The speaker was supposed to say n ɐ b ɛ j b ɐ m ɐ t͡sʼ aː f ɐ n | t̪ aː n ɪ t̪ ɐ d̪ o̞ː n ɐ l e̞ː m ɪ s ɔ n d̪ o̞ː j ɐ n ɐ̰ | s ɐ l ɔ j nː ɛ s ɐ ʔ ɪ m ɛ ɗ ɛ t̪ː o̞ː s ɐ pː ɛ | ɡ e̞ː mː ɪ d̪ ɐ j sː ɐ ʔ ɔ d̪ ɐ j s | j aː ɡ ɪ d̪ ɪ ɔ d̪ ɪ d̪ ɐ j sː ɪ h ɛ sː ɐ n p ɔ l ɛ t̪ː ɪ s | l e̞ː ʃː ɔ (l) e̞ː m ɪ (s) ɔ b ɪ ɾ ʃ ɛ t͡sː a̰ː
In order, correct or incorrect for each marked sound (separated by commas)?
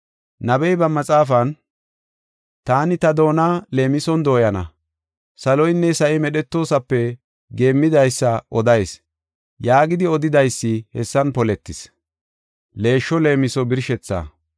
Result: correct, correct